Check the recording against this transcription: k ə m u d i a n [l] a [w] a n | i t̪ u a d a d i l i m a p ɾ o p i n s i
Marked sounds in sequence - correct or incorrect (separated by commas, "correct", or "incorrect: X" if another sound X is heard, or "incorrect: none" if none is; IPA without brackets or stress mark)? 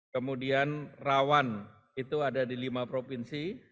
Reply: incorrect: r, correct